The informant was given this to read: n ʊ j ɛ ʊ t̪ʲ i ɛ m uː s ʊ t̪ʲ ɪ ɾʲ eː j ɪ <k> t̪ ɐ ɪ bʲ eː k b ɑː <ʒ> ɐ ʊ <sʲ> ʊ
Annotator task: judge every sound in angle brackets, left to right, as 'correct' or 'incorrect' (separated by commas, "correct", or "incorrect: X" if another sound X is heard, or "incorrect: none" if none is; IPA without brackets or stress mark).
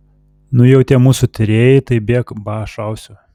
incorrect: none, incorrect: ʃ, correct